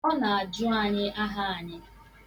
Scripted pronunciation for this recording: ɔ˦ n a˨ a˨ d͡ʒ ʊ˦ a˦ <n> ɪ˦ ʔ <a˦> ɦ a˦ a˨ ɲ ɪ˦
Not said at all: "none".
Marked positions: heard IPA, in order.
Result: ɲ, a˦

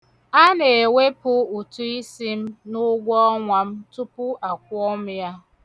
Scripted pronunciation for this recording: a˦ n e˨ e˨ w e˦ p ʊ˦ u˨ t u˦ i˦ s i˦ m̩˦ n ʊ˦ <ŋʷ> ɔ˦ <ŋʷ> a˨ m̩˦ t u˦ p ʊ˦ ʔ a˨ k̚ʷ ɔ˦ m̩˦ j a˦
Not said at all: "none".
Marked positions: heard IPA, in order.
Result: ɡʷ, ŋʷ

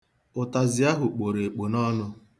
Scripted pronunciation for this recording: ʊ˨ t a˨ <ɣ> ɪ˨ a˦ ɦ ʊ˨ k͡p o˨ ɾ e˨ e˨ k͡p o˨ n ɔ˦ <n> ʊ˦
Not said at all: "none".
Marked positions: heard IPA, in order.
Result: z, n

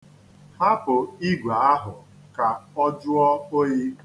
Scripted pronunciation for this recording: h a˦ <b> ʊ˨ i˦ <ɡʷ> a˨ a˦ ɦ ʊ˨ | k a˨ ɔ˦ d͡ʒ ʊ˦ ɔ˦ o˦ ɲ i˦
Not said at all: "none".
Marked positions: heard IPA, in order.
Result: p, ɡʷ

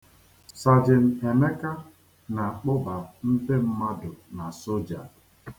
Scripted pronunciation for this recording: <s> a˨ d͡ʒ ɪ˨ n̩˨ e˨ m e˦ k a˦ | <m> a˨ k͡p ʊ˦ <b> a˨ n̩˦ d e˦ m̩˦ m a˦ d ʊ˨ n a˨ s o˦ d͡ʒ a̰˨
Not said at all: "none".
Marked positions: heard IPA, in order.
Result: s, n, b

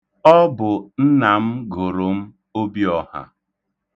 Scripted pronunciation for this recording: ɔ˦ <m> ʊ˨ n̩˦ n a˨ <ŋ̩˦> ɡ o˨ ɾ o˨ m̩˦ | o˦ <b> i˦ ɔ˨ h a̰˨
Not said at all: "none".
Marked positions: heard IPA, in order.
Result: b, m̩˦, b

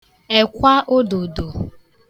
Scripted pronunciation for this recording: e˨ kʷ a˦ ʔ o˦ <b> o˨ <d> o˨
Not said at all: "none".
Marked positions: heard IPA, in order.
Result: d, d

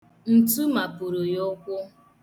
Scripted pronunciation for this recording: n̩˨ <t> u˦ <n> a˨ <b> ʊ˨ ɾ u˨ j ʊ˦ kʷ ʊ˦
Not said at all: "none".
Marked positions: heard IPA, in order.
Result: t, m, p

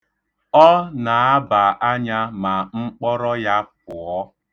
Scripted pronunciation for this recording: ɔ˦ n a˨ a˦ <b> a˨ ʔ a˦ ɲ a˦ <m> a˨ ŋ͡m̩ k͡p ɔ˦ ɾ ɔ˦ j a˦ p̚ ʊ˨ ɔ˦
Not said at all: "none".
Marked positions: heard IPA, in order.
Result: b, m

